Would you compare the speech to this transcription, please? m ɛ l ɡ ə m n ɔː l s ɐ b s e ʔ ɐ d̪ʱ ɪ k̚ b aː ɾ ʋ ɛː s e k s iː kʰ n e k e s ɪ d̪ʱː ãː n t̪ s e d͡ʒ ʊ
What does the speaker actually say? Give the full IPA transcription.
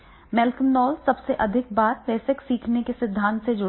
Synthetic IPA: m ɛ l k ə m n ɔː l s ɐ b s e ʔ ɐ d̪ʱ ɪ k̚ b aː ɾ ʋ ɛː s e k s iː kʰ n e k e s ɪ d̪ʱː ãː n t̪ s e d͡ʒ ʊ